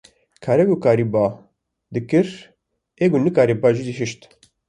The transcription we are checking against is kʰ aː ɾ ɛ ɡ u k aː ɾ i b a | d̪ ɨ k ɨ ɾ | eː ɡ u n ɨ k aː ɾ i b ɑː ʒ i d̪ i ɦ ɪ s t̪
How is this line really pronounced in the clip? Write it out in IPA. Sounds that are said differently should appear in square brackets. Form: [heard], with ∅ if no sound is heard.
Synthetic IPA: kʰ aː ɾ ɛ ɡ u k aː ɾ i b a | d̪ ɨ k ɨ ɾ | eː ɡ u n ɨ k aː ɾ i b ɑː ʒ i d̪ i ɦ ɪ [ʃ] t̪